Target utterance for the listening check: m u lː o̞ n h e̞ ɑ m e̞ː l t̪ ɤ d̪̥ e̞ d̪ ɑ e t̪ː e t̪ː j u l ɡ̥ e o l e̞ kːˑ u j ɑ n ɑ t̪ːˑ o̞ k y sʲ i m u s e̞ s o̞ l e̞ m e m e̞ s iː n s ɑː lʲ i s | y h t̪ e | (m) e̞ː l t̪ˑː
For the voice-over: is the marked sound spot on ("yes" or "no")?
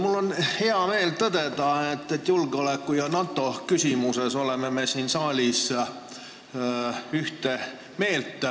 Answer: yes